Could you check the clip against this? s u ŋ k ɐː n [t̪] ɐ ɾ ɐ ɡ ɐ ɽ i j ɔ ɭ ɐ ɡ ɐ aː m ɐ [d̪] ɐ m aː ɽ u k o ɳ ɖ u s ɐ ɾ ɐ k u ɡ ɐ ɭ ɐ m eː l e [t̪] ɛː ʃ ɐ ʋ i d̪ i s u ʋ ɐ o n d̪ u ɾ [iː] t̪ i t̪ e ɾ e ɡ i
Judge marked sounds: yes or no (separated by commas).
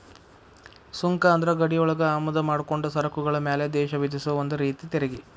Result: no, yes, no, yes